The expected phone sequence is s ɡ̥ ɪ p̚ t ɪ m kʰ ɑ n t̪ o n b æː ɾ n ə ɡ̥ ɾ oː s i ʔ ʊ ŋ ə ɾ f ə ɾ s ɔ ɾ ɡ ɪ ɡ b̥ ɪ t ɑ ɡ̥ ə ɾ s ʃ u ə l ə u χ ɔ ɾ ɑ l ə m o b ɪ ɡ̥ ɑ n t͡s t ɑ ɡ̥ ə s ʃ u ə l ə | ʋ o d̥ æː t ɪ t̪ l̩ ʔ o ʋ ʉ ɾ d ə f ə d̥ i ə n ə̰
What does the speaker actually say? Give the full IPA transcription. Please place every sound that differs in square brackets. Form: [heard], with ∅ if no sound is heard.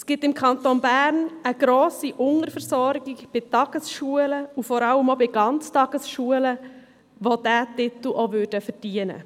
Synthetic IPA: s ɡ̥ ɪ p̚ t ɪ m kʰ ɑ n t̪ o n b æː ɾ n ə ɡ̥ ɾ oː s i ʔ ʊ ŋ ə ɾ f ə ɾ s ɔ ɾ ɡ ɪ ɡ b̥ ɪ t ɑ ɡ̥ ə [∅] s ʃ u ə l ə u [f] ɔ ɾ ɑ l ə m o b ɪ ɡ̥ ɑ n t͡s t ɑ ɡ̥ ə s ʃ u ə l ə | ʋ o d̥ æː t ɪ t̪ l̩ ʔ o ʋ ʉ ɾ d ə f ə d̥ i ə n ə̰